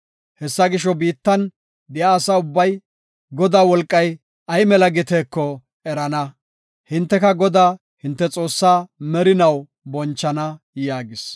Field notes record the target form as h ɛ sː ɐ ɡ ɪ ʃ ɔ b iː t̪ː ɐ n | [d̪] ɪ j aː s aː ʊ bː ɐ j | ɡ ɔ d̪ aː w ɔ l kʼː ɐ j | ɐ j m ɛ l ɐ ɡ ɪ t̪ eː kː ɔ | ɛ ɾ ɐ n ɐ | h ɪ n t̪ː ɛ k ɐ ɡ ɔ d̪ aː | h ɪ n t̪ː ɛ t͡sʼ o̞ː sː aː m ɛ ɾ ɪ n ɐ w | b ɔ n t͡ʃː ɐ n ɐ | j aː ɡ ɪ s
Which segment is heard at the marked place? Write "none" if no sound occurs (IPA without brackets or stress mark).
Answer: d̪